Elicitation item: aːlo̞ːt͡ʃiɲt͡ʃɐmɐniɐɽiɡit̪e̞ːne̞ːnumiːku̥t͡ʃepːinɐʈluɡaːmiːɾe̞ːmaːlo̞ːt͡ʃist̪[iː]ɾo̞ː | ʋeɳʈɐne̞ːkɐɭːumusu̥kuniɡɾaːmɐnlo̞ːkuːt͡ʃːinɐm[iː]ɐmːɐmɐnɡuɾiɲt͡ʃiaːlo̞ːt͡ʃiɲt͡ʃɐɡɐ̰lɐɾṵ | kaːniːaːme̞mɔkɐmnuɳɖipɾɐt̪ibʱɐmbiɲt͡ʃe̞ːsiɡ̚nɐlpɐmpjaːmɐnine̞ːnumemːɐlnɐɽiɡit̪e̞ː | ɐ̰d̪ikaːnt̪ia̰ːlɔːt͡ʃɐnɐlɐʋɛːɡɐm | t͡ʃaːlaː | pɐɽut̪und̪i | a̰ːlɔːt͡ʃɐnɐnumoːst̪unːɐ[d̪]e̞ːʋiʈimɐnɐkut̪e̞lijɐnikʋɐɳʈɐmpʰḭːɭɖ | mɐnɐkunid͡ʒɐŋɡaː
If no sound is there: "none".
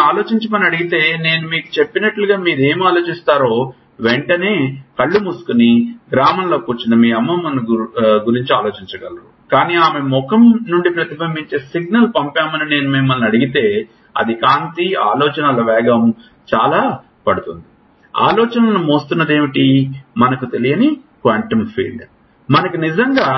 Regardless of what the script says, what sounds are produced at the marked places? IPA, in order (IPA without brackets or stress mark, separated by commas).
aː, iː, d̪